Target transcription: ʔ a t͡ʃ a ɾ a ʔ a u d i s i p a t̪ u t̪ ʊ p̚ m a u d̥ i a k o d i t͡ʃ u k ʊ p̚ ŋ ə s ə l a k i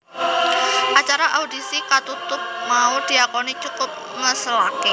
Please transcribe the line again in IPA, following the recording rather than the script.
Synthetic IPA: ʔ a t͡ʃ a ɾ a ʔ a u d i s i k a t̪ u t̪ ʊ p̚ m a u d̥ i a k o n i t͡ʃ u k ʊ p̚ ŋ ə s ə l a k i